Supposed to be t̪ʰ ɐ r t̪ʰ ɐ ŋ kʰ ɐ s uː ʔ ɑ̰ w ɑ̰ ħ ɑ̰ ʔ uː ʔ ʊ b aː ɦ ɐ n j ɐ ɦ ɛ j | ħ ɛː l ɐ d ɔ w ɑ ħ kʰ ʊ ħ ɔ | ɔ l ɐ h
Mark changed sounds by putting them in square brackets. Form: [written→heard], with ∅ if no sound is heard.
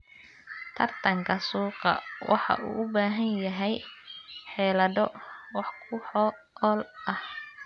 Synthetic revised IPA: t̪ʰ ɐ r t̪ʰ ɐ ŋ kʰ ɐ s uː [ʔ→q] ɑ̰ w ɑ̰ ħ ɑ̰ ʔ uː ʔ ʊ b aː ɦ ɐ n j ɐ ɦ ɛ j | ħ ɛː l ɐ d ɔ w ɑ ħ kʰ ʊ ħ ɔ | ɔ l ɐ h

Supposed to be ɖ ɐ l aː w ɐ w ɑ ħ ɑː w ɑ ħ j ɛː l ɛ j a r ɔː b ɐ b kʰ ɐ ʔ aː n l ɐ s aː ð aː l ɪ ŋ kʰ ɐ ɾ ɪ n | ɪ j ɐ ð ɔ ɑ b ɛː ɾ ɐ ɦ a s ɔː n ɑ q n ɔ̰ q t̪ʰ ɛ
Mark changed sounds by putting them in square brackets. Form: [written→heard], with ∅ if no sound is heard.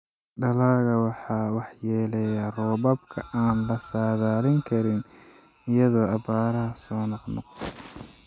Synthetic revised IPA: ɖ ɐ l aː [w→ɣ] ɐ w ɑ ħ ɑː w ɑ ħ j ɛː l ɛ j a r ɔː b ɐ b kʰ ɐ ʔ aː n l ɐ s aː ð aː l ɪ ŋ kʰ ɐ ɾ ɪ n | ɪ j ɐ ð [ɔ→ɔː] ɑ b [ɛː→aː] ɾ ɐ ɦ [a→ɐ] s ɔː n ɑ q n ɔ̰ q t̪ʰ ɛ

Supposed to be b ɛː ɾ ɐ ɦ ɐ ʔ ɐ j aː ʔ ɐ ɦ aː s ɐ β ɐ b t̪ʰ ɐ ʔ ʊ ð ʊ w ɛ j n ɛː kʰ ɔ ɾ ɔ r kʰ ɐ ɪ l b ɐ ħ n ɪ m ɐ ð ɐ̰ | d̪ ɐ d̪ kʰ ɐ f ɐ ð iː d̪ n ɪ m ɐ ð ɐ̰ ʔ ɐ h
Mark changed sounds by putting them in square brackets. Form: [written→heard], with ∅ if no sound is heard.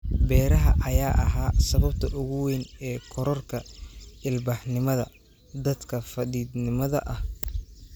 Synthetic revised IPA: b ɛː ɾ ɐ ɦ ɐ ʔ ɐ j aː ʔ ɐ ɦ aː s ɐ β ɐ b t̪ʰ ɐ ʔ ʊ [ð→ɣ] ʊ w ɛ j n ɛː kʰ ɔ ɾ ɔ r kʰ ɐ ɪ l b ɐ ħ n ɪ m ɐ ð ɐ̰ | d̪ ɐ d̪ kʰ ɐ f ɐ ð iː d̪ n ɪ m ɐ ð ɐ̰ ʔ ɐ h

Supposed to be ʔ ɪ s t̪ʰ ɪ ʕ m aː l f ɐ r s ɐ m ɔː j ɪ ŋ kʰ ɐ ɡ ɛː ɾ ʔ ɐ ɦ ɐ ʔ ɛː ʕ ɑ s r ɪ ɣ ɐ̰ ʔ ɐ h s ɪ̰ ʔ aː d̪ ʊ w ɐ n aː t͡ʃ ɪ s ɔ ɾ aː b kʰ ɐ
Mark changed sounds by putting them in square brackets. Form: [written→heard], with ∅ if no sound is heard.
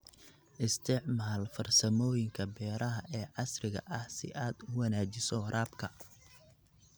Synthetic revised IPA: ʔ ɪ s t̪ʰ ɪ ʕ m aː l f ɐ r s ɐ m ɔː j ɪ ŋ kʰ ɐ [ɡ→b] ɛː ɾ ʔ ɐ ɦ ɐ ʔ ɛː ʕ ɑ s r ɪ ɣ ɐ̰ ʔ ɐ h s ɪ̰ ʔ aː d̪ ʊ w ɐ n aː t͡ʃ ɪ s ɔ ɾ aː b kʰ ɐ

